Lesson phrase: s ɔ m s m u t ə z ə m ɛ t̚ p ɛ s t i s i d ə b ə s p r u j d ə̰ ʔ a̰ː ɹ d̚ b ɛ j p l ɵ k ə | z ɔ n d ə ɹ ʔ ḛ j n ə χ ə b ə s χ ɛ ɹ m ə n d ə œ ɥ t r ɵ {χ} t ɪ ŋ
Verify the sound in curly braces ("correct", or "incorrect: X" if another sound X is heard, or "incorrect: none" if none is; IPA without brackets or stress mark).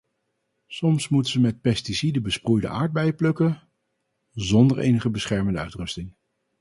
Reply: incorrect: s